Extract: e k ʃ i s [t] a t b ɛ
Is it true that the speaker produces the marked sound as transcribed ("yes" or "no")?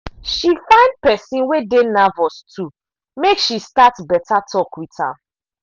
yes